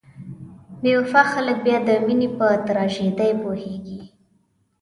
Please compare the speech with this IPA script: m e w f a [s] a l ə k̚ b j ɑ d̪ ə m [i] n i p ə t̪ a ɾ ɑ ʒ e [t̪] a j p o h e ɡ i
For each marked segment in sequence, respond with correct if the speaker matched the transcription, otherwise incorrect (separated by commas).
incorrect, correct, incorrect